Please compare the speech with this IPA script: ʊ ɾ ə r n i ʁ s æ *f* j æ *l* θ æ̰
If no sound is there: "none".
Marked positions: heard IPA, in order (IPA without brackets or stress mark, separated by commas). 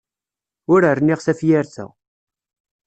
f, ɾ